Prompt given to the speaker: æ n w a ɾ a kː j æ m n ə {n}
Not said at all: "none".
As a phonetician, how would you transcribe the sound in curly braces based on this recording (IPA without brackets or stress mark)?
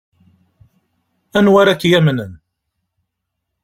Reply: n